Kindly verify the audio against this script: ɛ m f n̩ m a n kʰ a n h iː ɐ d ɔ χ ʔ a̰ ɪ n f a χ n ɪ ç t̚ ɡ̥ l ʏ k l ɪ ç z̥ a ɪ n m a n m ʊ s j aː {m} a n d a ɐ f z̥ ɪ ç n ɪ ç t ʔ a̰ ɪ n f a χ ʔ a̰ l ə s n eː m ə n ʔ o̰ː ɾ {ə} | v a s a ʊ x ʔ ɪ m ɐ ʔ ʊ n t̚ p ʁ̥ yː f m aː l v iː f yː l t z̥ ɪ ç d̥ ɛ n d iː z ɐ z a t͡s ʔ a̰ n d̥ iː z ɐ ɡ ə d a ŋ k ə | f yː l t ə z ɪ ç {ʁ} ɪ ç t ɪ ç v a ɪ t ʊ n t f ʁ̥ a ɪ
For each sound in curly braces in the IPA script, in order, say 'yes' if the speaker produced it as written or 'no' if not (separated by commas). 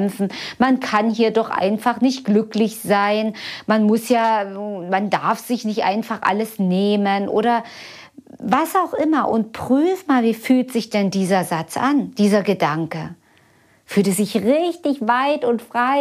yes, no, yes